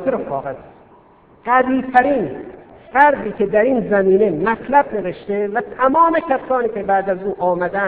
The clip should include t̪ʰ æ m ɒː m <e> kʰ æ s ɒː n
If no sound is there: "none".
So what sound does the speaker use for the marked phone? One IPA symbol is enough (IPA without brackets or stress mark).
e